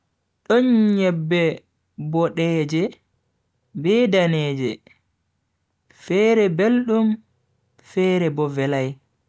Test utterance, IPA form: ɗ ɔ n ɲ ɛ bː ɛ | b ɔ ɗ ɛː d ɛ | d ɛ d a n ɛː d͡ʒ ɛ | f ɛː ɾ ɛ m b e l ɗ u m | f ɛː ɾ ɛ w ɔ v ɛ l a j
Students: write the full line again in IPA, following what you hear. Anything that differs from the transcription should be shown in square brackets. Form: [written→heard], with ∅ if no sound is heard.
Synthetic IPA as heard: ɗ ɔ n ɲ ɛ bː ɛ | b ɔ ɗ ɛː [d→d͡ʒ] ɛ | [d→b] ɛ d a n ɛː d͡ʒ ɛ | f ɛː ɾ ɛ [m→∅] b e l ɗ u m | f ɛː ɾ ɛ [w→b] ɔ v ɛ l a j